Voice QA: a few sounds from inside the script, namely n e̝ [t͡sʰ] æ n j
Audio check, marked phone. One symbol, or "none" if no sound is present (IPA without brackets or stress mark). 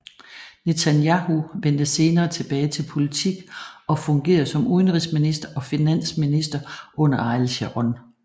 t͡sʰ